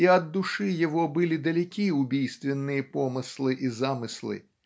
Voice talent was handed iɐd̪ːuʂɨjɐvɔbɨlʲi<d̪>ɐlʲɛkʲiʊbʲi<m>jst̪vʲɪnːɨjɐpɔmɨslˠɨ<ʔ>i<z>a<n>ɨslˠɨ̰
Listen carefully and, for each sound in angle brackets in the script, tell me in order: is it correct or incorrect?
correct, incorrect: none, correct, correct, incorrect: m

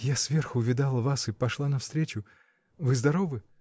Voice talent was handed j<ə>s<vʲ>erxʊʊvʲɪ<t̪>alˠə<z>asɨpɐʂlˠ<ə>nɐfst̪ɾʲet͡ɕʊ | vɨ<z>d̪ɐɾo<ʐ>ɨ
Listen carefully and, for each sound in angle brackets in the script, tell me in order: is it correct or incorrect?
incorrect: a, correct, incorrect: d̪, incorrect: v, incorrect: a, correct, incorrect: v

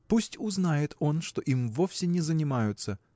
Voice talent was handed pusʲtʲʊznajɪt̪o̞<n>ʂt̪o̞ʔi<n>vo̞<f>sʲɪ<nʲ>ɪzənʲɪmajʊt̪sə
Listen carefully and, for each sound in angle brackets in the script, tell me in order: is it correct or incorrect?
correct, incorrect: m, correct, correct

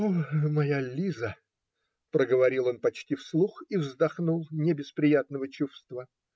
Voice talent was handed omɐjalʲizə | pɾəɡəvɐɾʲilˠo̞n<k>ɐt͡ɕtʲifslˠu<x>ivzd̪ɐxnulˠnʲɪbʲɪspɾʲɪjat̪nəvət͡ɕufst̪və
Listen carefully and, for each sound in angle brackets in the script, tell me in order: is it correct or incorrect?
incorrect: p, correct

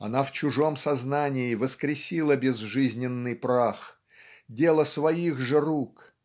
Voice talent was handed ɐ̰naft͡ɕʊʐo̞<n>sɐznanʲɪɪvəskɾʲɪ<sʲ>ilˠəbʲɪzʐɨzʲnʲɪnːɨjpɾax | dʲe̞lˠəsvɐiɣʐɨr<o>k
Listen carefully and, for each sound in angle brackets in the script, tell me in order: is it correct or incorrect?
incorrect: m, correct, incorrect: u

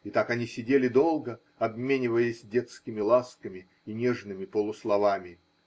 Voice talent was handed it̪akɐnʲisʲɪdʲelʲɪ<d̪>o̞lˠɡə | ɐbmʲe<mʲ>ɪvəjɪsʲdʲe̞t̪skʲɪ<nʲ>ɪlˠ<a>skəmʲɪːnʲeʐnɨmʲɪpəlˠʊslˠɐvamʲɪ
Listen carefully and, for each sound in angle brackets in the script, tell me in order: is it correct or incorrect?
correct, incorrect: nʲ, incorrect: mʲ, correct

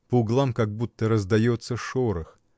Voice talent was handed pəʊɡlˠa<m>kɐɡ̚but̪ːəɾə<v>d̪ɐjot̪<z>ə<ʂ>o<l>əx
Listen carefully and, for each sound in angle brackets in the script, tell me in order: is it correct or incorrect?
correct, incorrect: z, incorrect: s, correct, incorrect: ɾ

